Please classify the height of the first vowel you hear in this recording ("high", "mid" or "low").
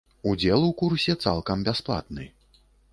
high